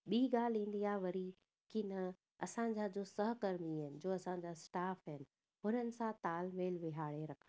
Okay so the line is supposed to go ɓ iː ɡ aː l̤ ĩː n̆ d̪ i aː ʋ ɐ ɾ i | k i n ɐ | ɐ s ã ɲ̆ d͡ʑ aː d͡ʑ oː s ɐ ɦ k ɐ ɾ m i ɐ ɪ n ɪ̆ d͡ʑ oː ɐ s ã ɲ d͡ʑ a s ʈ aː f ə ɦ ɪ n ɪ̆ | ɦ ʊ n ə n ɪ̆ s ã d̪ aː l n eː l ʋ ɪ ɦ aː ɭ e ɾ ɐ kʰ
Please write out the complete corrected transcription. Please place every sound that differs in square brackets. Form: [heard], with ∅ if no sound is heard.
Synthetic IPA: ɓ iː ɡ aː l̤ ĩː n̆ d̪ i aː ʋ ɐ ɾ i | k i n ɐ | ɐ s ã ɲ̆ d͡ʑ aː d͡ʑ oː s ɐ ɦ k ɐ ɾ m i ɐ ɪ n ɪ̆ d͡ʑ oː ɐ s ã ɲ d͡ʑ a s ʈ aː f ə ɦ ɪ n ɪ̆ | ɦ ʊ n ə n ɪ̆ s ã [t̪] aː l [m] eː l ʋ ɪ ɦ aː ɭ e ɾ ɐ kʰ

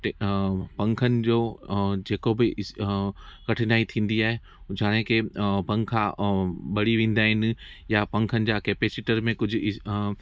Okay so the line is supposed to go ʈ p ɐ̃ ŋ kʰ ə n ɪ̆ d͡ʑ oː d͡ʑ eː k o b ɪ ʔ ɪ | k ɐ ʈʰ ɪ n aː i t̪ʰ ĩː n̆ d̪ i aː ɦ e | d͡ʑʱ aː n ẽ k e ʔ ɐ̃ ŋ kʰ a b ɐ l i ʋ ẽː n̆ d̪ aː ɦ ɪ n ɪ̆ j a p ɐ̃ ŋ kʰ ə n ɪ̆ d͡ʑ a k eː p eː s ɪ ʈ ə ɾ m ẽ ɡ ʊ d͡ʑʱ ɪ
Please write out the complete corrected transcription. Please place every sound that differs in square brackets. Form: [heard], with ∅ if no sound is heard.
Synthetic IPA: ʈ p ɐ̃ ŋ kʰ ə n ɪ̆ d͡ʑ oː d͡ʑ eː k o b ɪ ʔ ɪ | k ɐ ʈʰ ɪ n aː i t̪ʰ ĩː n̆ d̪ i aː ɦ e | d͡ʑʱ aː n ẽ k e [p] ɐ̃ ŋ kʰ a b ɐ [ɽ] i ʋ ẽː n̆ d̪ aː ɦ ɪ n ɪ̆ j a p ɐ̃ ŋ kʰ ə n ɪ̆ d͡ʑ a k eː p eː s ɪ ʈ ə ɾ m ẽ [k] ʊ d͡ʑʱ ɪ

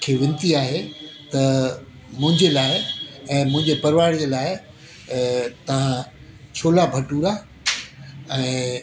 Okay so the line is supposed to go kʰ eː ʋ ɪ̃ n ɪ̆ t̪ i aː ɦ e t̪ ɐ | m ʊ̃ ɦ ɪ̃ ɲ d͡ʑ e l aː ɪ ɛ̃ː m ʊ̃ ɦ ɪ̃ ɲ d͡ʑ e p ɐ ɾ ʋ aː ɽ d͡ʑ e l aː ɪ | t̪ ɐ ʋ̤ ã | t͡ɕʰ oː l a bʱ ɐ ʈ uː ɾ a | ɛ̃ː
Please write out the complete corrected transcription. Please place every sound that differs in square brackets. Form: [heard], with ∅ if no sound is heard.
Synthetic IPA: kʰ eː ʋ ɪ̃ n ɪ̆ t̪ i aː ɦ e t̪ ɐ | m ʊ̃ ɦ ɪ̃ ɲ d͡ʑ e l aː ɪ ɛ̃ː m ʊ̃ ɦ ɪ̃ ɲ d͡ʑ e p ɐ ɾ ʋ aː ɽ d͡ʑ e l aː ɪ | t̪ ɐ ʋ̤ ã | t͡ɕʰ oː l a bʱ ɐ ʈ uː ɾ a | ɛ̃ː

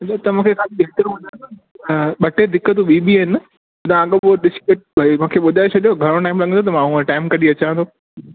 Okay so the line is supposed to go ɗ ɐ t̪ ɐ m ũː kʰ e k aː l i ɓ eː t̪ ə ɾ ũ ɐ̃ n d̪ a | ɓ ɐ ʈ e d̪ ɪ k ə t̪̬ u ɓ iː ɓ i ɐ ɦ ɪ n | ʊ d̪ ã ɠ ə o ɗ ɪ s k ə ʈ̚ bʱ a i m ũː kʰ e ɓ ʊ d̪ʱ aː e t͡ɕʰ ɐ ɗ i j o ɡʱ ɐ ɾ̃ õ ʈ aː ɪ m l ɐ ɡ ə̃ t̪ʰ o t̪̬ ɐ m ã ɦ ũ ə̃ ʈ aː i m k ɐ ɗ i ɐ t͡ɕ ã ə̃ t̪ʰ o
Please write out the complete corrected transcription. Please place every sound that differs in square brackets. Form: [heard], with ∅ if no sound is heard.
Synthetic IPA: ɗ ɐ t̪ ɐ m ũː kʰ e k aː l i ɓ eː t̪ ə ɾ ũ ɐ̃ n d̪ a | ɓ ɐ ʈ e d̪ ɪ k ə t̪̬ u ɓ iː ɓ i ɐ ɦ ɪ n | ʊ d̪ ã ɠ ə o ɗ ɪ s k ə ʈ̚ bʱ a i m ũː kʰ e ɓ ʊ d̪ʱ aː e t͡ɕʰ ɐ ɗ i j o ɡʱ ɐ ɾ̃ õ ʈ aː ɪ m l ɐ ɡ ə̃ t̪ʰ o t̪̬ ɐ m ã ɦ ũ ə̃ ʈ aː [ɪ] m k ɐ ɗ i ɐ t͡ɕ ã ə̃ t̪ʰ o

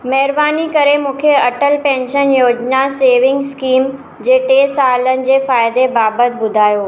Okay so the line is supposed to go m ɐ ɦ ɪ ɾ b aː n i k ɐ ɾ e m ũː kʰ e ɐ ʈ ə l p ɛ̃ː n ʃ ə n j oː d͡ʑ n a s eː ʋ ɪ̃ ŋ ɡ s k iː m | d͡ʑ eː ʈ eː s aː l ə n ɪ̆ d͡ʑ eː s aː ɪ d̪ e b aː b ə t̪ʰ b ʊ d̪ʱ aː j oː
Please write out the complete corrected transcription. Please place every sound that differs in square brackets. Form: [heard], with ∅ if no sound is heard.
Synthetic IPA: m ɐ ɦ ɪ ɾ b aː n i k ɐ ɾ e m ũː kʰ e ɐ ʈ ə l p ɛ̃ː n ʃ ə n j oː d͡ʑ n a s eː ʋ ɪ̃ ŋ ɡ s k iː m | d͡ʑ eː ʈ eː s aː l ə n ɪ̆ d͡ʑ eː [f] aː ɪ d̪ e b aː b ə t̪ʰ b ʊ d̪ʱ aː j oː

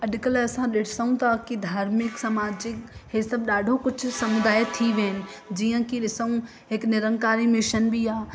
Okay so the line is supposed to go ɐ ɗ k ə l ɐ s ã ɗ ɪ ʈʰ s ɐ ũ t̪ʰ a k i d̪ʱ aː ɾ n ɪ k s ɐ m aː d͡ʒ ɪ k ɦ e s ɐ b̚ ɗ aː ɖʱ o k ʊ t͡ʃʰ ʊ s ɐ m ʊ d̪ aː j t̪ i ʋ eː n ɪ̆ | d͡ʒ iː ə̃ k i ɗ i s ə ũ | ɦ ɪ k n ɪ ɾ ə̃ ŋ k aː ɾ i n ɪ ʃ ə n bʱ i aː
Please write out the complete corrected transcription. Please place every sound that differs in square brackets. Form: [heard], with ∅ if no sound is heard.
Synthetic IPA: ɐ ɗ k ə l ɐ s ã ɗ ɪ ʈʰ s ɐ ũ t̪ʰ a k i d̪ʱ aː ɾ [m] ɪ k s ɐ m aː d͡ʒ ɪ k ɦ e s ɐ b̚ ɗ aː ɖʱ o k ʊ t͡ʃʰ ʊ s ɐ m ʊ d̪ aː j [t̪ʰ] i ʋ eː n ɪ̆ | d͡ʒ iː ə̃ k i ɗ [ɪ] s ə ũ | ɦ ɪ k n ɪ ɾ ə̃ ŋ k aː ɾ i [m] ɪ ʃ ə n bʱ i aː

